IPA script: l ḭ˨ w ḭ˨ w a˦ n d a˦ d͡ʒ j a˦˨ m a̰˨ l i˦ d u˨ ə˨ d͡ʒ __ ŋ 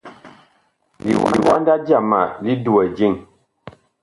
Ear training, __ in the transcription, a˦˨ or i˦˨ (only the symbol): i˦˨